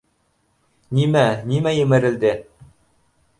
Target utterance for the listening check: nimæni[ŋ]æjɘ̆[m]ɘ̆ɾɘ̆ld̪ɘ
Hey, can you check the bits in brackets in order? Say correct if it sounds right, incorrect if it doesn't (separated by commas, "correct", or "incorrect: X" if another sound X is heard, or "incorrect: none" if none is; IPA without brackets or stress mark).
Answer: incorrect: m, correct